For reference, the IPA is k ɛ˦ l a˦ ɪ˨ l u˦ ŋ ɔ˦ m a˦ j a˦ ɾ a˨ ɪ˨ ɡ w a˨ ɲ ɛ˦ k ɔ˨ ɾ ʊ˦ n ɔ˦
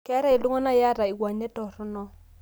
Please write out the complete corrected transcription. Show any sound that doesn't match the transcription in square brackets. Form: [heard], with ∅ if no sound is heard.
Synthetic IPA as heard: k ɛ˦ [ɾ] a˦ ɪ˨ l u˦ ŋ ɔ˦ [n] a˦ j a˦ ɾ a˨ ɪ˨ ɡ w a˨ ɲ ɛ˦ [t] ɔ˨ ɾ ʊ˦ n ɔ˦